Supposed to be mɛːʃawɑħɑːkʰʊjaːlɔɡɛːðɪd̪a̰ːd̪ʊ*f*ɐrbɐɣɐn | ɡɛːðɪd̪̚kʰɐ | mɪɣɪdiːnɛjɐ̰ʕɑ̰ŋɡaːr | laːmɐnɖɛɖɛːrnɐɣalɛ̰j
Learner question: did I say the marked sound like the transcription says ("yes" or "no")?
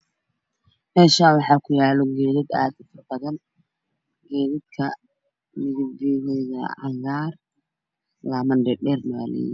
yes